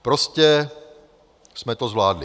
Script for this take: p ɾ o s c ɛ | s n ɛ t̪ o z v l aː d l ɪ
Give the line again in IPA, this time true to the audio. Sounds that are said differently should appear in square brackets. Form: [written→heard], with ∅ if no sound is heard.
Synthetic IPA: p ɾ o s c ɛ | s [n→m] ɛ t̪ o z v l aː d l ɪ